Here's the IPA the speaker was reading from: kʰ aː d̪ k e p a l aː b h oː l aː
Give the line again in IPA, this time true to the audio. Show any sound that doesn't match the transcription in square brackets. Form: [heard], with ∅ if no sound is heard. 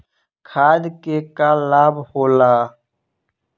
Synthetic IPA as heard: kʰ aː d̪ k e [k] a l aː b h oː l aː